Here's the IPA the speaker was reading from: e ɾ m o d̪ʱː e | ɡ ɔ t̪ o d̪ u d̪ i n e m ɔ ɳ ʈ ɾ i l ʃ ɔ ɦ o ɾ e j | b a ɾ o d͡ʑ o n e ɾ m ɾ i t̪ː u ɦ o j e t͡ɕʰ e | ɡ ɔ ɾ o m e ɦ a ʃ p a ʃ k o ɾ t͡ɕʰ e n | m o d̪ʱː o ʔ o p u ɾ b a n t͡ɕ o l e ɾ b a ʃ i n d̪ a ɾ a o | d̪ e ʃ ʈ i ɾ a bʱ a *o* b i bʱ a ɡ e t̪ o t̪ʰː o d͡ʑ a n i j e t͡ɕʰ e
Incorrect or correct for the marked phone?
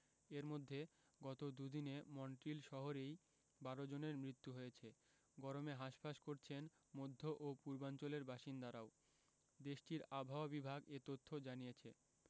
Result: correct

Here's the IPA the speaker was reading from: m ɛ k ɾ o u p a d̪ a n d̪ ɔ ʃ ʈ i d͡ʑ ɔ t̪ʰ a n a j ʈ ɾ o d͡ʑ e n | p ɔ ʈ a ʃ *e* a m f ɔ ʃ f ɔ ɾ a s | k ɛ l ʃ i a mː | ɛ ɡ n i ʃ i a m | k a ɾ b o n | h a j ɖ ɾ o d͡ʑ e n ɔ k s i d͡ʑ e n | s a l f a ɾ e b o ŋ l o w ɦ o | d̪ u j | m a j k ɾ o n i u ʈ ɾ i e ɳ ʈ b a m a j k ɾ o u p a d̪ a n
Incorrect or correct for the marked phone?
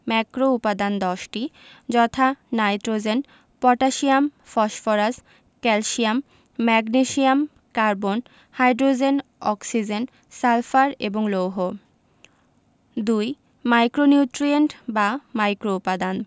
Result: incorrect: i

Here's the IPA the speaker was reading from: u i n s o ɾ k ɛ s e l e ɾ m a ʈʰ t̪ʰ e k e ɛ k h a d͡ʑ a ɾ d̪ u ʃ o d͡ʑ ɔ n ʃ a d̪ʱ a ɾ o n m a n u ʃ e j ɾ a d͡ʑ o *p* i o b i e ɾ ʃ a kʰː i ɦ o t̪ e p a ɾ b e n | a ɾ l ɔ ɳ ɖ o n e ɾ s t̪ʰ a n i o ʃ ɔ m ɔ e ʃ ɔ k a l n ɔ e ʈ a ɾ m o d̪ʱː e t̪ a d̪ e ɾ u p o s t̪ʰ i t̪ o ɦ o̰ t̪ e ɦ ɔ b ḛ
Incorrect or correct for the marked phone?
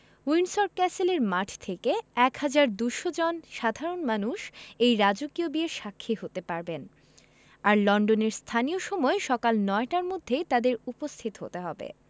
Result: incorrect: k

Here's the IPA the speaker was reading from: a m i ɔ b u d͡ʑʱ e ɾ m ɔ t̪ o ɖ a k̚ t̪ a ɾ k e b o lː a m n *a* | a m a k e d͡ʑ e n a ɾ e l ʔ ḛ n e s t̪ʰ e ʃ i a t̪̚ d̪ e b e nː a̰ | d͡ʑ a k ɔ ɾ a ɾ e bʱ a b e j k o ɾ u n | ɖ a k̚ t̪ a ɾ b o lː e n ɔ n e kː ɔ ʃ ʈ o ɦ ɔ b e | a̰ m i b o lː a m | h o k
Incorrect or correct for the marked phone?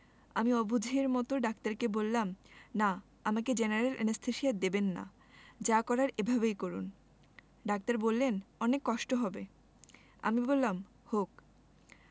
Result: correct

